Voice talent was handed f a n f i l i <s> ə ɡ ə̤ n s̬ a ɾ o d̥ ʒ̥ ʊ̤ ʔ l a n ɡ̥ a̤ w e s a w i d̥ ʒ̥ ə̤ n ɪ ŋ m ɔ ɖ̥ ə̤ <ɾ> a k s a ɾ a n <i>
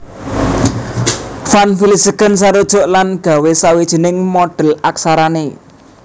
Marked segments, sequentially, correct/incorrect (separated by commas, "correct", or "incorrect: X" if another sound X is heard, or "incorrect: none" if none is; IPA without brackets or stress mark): correct, incorrect: l, incorrect: e